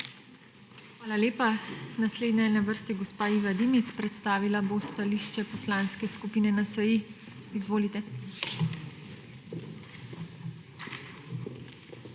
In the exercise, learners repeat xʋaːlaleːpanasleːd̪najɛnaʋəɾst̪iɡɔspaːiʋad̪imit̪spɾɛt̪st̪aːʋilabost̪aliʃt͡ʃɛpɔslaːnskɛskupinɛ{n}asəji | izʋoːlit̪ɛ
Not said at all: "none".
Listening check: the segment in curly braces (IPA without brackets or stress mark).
n